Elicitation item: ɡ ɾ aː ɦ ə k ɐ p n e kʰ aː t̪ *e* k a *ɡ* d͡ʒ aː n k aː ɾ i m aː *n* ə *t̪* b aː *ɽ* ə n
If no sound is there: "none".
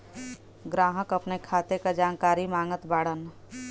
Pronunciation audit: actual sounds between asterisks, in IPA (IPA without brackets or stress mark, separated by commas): e, none, ŋ, t̪, ɽ